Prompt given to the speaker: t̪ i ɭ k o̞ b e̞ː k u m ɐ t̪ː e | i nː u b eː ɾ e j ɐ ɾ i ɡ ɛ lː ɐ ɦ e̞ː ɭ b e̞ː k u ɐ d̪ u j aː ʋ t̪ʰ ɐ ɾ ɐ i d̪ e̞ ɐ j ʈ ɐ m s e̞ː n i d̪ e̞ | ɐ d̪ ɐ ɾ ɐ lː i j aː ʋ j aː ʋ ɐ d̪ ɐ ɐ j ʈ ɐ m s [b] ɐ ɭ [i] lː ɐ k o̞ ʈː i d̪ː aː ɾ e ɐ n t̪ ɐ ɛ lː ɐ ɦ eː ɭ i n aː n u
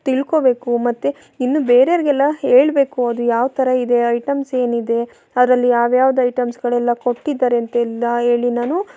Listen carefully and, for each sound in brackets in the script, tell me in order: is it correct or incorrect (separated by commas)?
incorrect, incorrect